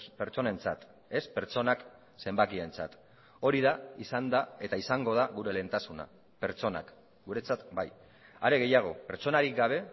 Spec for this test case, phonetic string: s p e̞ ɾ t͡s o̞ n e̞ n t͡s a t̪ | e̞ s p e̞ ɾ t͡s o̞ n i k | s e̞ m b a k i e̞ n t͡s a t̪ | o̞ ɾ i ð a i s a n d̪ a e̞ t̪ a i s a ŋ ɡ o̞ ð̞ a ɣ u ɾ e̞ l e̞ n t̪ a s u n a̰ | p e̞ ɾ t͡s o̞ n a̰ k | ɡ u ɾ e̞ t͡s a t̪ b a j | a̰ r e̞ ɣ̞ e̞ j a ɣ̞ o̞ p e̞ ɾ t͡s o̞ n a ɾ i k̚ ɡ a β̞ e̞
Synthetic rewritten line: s p e̞ ɾ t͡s o̞ n e̞ n t͡s a t̪ | e̞ s p e̞ ɾ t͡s o̞ n a k | s e̞ m b a k i e̞ n t͡s a t̪ | o̞ ɾ i ð a i s a n d̪ a e̞ t̪ a i s a ŋ ɡ o̞ ð̞ a ɣ u ɾ e̞ l e̞ n t̪ a s u n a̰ | p e̞ ɾ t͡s o̞ n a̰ k | ɡ u ɾ e̞ t͡s a t̪ b a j | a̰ ɾ e̞ ɣ̞ e̞ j a ɣ̞ o̞ p e̞ ɾ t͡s o̞ n a ɾ i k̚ ɡ a β̞ e̞